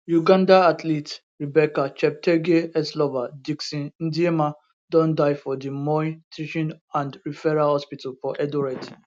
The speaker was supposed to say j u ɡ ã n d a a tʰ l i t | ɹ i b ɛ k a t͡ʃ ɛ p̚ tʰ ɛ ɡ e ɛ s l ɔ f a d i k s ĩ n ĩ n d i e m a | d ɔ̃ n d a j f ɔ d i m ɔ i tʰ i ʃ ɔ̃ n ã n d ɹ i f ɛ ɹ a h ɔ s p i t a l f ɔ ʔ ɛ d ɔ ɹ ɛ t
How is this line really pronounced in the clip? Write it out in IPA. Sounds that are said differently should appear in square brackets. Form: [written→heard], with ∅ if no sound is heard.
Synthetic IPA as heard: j u ɡ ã n d a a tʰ l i t | ɹ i b ɛ k a t͡ʃ ɛ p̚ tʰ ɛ ɡ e ɛ s l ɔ [f→v] a d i k s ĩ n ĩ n d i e m a | d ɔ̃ n d a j f ɔ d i m ɔ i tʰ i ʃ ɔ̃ n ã n d ɹ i f ɛ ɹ a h ɔ s p i t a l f ɔ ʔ ɛ d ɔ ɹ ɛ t